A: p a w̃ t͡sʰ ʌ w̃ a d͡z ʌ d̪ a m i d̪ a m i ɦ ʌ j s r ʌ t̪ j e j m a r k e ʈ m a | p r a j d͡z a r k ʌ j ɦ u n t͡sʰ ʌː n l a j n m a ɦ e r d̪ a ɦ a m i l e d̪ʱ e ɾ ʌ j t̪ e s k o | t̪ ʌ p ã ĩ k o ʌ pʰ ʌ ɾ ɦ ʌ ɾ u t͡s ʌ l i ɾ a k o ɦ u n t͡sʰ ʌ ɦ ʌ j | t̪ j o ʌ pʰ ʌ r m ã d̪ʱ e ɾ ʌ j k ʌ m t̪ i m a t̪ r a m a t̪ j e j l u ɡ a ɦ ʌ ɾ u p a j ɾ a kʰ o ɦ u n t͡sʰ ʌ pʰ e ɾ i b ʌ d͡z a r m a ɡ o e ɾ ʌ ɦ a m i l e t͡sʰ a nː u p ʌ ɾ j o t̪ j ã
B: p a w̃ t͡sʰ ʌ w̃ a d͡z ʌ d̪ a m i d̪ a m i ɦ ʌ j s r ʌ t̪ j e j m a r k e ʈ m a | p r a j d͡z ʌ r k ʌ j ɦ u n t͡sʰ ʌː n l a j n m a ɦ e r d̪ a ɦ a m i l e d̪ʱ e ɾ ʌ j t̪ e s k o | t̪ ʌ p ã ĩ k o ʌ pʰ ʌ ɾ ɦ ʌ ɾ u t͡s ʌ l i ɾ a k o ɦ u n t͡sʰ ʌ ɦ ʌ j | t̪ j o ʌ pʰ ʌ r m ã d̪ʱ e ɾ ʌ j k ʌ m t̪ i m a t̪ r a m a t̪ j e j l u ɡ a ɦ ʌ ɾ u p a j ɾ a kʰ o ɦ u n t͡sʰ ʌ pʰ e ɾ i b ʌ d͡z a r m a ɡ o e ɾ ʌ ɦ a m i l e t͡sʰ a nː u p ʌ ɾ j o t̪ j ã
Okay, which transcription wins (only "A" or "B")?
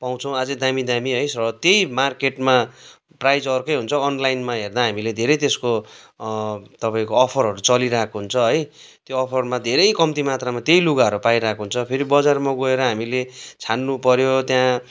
B